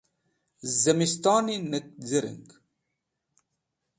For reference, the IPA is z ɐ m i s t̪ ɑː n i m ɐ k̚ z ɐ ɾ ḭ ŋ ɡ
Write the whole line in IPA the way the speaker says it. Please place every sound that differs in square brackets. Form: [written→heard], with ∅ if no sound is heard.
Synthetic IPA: z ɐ m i s t̪ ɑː n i [m→n] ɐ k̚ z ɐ ɾ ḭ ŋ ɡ